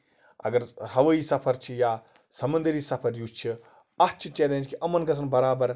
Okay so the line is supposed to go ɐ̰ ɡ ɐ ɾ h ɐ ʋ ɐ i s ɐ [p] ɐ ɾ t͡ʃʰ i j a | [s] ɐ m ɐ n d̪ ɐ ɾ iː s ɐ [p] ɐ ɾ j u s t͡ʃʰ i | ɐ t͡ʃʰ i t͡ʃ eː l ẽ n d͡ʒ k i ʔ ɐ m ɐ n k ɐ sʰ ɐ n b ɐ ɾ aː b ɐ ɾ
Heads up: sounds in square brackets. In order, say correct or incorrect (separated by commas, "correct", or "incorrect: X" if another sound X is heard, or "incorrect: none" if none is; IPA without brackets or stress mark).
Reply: incorrect: pʰ, correct, incorrect: pʰ